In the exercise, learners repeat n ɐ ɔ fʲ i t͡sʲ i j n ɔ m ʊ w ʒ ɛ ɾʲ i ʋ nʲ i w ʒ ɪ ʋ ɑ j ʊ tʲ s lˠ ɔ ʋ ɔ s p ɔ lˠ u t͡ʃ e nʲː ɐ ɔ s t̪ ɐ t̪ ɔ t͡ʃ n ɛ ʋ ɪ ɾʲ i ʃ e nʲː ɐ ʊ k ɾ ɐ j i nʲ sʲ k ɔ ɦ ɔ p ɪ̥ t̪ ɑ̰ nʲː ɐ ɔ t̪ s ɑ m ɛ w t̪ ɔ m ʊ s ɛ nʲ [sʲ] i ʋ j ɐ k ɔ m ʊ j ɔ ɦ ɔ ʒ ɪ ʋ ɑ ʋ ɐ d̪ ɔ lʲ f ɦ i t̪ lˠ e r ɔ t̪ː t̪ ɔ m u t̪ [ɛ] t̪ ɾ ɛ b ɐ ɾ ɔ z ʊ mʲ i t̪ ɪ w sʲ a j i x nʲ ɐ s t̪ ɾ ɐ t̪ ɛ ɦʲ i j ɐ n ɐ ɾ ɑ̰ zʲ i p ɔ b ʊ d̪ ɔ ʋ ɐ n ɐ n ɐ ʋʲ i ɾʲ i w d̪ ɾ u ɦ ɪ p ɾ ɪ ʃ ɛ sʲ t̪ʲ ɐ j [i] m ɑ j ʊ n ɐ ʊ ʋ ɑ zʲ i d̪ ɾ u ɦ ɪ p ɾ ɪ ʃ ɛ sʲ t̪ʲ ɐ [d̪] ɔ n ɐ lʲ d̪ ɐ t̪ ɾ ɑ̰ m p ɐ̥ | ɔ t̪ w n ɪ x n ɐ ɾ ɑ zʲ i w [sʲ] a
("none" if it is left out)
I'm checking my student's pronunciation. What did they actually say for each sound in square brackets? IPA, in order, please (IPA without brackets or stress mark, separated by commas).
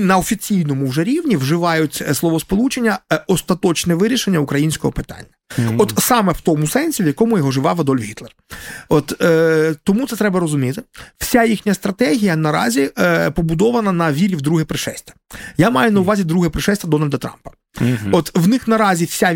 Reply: sʲ, ɛ, a, d̪, sʲ